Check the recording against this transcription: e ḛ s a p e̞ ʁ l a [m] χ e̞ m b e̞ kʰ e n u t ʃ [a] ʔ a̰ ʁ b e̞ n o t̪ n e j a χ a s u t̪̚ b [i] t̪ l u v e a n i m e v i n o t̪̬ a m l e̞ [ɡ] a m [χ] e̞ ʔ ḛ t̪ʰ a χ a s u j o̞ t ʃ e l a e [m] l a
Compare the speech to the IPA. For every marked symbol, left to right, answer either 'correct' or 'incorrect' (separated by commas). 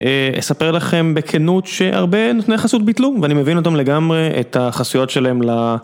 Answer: incorrect, incorrect, correct, correct, incorrect, correct